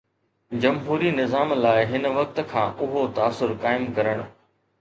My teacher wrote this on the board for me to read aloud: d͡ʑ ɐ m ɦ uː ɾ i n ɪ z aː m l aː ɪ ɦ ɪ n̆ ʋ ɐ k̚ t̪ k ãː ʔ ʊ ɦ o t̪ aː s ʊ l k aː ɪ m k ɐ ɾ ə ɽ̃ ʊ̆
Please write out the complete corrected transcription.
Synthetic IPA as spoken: d͡ʑ ɐ m ɦ uː ɾ i n ɪ z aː m l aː ɪ ɦ ɪ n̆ ʋ ɐ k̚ t̪ kʰ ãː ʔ ʊ ɦ o t̪ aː s ʊ ɾ k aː ɪ m k ɐ ɾ ə ɽ̃ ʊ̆